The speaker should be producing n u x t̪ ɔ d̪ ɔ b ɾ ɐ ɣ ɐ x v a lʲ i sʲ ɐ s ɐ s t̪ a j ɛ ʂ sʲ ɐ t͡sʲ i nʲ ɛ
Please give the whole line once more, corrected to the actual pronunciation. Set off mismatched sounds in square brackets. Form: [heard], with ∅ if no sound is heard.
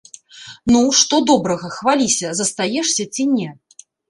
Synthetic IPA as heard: n u [ʂ] t̪ ɔ d̪ ɔ b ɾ ɐ ɣ ɐ x v a lʲ i sʲ ɐ [z] ɐ s t̪ a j ɛ ʂ sʲ ɐ t͡sʲ i nʲ ɛ

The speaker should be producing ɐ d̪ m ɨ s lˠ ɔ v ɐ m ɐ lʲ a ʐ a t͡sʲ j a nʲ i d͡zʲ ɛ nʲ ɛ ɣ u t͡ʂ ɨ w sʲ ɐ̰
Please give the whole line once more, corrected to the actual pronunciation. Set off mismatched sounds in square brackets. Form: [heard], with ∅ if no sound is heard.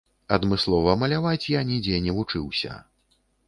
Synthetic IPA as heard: ɐ d̪ m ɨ s lˠ ɔ v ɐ m ɐ lʲ a [v] a t͡sʲ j a nʲ i d͡zʲ ɛ nʲ ɛ [v] u t͡ʂ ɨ w sʲ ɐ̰

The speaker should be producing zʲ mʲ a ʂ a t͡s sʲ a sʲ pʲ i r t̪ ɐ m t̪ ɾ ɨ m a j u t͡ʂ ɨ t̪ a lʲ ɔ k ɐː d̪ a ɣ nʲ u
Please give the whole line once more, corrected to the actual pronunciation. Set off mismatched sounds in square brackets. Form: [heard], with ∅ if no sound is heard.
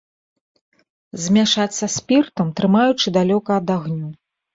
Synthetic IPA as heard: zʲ mʲ a ʂ a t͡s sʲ [ɐ] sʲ pʲ i r t̪ ɐ m t̪ ɾ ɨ m a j u t͡ʂ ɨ [d̪] a lʲ ɔ k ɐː d̪ a ɣ nʲ u

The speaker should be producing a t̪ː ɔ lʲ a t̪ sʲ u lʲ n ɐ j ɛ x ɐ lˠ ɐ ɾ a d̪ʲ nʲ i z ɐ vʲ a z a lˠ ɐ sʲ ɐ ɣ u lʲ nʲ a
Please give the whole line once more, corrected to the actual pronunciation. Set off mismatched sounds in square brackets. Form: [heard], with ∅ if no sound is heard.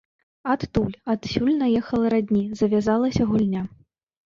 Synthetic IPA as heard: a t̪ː [u] lʲ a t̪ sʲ u lʲ n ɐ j ɛ x ɐ lˠ ɐ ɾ a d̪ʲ nʲ i z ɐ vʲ a z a lˠ ɐ sʲ ɐ ɣ u lʲ nʲ a

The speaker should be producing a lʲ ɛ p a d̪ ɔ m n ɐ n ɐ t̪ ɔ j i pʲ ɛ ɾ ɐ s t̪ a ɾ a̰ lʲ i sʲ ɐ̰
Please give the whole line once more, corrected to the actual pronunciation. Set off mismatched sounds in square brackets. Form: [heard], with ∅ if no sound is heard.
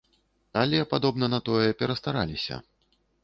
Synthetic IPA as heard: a lʲ ɛ p a d̪ ɔ [b] n ɐ n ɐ t̪ ɔ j [ɛ] pʲ ɛ ɾ ɐ s t̪ a ɾ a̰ lʲ i sʲ ɐ̰

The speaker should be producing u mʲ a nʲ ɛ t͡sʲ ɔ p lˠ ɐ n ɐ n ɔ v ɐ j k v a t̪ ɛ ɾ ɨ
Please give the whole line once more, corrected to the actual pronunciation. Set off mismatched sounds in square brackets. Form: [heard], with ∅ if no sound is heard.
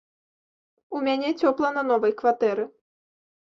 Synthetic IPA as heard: u mʲ a nʲ ɛ t͡sʲ ɔ p lˠ ɐ n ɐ n ɔ v ɐ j k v a t̪ ɛ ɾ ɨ

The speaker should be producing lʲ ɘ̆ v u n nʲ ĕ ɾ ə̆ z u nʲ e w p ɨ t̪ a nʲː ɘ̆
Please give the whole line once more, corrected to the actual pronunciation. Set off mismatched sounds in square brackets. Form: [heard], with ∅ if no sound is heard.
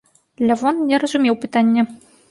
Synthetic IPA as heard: lʲ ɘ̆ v [o] n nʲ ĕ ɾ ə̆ z u [mʲ] e w p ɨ t̪ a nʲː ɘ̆

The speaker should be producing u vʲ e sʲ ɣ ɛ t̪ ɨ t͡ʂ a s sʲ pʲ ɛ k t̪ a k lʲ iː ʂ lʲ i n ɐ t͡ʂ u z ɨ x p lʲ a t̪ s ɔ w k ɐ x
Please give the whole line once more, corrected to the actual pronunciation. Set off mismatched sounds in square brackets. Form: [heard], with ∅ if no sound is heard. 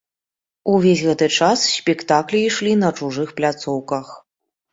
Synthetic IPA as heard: u vʲ e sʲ ɣ ɛ t̪ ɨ t͡ʂ a s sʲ pʲ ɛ k t̪ a k lʲ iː ʂ lʲ i n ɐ t͡ʂ u [ʐ] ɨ x p lʲ a t̪ s ɔ w k ɐ x

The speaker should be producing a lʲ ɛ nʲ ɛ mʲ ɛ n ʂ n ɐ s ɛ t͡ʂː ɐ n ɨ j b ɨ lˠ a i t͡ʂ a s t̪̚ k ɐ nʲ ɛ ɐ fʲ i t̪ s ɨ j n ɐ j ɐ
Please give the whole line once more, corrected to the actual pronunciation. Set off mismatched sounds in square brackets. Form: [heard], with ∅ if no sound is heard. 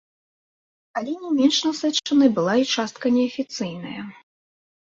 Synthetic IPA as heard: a lʲ ɛ nʲ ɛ mʲ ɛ n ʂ n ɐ s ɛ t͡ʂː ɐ n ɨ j b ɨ lˠ a i t͡ʂ a s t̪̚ k ɐ nʲ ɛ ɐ fʲ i t̪ s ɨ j n ɐ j ɐ

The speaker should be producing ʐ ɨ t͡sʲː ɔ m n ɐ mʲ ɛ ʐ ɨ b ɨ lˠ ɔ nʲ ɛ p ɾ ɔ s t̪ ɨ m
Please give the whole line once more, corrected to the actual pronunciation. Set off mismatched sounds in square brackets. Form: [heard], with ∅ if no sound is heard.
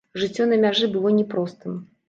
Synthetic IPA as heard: ʐ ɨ t͡sʲː ɔ [∅] n ɐ mʲ [a] ʐ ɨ b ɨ lˠ ɔ nʲ ɛ p ɾ ɔ s t̪ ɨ m

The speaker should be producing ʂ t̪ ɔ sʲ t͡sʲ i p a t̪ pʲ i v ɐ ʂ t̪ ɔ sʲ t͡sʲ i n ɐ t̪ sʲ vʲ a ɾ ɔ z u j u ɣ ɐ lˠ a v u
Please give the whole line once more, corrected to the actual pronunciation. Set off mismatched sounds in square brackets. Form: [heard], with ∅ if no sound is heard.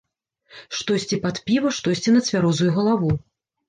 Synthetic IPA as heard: ʂ t̪ ɔ sʲ t͡sʲ i p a t̪ pʲ i v ɐ ʂ t̪ ɔ sʲ t͡sʲ i n ɐ t̪ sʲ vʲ a ɾ ɔ z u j u ɣ ɐ lˠ a v u

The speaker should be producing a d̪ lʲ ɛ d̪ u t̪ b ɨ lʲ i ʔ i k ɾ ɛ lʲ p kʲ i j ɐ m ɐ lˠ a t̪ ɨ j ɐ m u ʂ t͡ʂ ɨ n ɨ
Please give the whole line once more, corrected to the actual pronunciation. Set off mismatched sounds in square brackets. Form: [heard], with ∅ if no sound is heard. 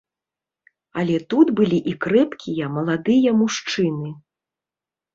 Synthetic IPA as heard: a [∅] lʲ ɛ [t̪] u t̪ b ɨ lʲ i ʔ i k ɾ ɛ [∅] p kʲ i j ɐ m ɐ lˠ a [d̪] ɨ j ɐ m u ʂ t͡ʂ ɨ n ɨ

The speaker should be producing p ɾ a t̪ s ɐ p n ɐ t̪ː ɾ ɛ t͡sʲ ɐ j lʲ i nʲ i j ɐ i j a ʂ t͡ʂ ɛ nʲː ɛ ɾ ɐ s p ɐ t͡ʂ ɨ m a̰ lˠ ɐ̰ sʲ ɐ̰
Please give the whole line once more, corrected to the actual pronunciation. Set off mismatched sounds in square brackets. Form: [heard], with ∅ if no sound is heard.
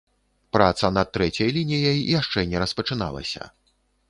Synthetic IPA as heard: p ɾ a t̪ s ɐ [∅] n ɐ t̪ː ɾ ɛ t͡sʲ ɐ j lʲ i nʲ i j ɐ [j] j a ʂ t͡ʂ ɛ [nʲ] ɛ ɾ ɐ s p ɐ t͡ʂ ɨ [n] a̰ lˠ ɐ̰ sʲ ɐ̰

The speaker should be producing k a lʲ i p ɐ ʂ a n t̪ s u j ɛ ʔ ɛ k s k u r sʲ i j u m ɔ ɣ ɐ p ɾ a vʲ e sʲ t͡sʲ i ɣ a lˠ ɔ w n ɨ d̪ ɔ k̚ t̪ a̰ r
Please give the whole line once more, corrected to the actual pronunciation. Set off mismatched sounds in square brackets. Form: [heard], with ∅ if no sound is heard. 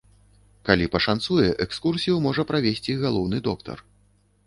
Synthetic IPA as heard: k a lʲ i p ɐ ʂ a n t̪ s u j ɛ ʔ ɛ k s k u r sʲ i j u m ɔ [ʐ] ɐ p ɾ a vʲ e sʲ t͡sʲ i ɣ a lˠ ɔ w n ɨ d̪ ɔ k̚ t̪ [ɐ̰] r

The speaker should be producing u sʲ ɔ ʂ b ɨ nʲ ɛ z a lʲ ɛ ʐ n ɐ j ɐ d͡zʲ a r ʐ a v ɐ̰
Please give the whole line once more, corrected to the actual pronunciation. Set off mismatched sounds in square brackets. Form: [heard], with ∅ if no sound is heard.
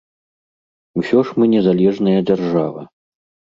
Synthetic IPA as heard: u sʲ ɔ ʂ [m] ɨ nʲ ɛ z a lʲ ɛ ʐ n ɐ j ɐ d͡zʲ a r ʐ a v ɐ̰

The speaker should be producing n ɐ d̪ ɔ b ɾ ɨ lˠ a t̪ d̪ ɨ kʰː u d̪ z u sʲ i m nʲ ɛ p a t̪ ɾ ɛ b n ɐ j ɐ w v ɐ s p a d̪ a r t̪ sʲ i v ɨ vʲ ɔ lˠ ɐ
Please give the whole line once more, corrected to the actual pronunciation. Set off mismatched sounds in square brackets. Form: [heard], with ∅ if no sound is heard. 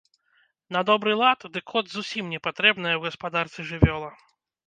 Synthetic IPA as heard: n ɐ d̪ ɔ b ɾ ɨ lˠ a t̪ d̪ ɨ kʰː [ɔ] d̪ z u sʲ i m nʲ ɛ p a t̪ ɾ ɛ b n ɐ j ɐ w [ɣ] ɐ s p a d̪ a r t̪ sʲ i [ʐ] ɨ vʲ ɔ lˠ ɐ

